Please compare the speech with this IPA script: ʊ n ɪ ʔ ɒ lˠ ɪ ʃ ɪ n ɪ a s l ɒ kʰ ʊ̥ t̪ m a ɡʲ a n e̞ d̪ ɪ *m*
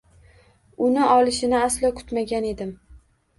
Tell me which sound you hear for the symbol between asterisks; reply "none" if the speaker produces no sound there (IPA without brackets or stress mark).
m